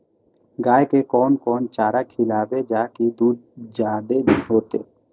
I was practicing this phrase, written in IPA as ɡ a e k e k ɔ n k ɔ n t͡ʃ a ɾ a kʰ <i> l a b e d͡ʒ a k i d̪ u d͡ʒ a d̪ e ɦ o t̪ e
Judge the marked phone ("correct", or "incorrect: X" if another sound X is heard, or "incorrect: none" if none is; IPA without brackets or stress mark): correct